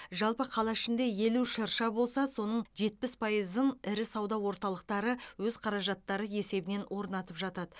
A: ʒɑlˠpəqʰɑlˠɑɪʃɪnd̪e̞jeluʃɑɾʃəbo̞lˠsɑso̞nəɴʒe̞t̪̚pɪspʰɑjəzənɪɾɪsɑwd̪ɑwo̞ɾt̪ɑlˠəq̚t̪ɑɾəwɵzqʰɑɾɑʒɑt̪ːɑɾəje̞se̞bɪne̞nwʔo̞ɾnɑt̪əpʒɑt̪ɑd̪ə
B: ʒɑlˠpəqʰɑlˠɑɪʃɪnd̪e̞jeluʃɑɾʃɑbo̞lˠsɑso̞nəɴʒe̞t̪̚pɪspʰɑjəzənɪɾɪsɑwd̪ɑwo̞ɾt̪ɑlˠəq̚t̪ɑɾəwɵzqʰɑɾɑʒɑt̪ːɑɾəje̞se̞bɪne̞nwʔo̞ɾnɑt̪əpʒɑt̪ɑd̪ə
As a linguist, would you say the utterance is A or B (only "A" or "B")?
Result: B